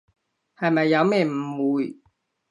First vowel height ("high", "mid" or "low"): low